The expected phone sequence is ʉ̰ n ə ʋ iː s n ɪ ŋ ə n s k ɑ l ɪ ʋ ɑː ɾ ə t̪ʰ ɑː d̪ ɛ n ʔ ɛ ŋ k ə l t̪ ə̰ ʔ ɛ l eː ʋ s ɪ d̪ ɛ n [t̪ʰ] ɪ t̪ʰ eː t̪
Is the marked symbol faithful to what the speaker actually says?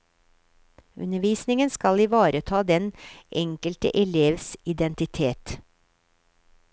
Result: no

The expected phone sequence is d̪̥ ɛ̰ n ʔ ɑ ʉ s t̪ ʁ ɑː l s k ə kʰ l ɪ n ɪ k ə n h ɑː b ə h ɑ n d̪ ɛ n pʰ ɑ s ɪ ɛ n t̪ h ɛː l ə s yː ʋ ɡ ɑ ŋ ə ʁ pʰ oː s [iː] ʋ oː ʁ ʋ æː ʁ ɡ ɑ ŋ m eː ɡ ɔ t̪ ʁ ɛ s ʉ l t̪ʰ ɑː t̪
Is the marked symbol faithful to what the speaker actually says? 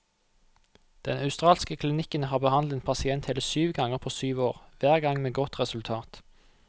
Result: no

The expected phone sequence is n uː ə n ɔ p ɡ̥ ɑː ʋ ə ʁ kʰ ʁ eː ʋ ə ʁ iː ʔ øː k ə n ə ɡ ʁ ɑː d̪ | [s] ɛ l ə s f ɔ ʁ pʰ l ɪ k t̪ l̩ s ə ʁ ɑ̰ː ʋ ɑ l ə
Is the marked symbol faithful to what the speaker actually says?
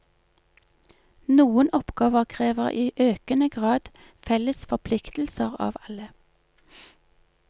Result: no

